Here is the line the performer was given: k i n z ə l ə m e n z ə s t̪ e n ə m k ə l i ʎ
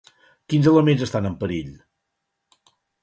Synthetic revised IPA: k i n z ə l ə m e n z ə s t̪ a n ə m p ə ɾ i ʎ